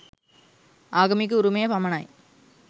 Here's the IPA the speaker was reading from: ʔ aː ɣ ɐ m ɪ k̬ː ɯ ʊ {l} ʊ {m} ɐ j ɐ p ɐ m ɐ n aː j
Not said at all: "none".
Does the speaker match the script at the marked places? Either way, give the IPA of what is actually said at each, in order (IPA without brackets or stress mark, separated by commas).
ɾ, m